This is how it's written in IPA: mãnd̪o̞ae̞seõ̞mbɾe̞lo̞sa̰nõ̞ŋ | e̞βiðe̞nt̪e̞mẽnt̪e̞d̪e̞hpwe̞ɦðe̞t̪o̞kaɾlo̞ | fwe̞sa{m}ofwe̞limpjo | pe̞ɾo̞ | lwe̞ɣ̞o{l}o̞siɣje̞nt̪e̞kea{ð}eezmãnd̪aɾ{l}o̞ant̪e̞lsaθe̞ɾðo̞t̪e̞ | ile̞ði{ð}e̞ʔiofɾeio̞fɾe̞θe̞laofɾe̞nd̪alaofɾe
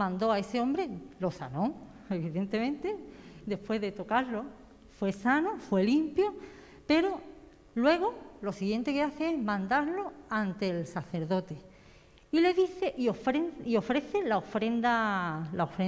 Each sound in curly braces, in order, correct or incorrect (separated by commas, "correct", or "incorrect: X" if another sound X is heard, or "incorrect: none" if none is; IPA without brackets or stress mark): incorrect: n, correct, incorrect: θ, correct, incorrect: θ